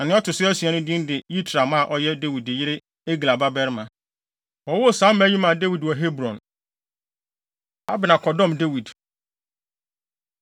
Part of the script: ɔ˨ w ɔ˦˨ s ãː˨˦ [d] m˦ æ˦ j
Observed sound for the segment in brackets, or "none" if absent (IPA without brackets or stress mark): none